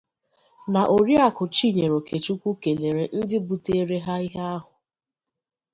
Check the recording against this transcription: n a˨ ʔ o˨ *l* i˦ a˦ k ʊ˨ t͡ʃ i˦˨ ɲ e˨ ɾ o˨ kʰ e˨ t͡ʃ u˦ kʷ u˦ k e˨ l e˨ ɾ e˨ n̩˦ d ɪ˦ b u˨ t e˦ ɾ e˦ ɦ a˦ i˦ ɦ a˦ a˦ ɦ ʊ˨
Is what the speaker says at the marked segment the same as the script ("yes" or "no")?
no